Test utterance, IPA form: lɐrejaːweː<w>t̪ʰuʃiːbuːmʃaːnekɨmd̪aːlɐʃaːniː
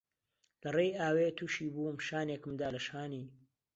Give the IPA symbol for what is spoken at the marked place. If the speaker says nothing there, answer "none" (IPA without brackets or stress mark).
none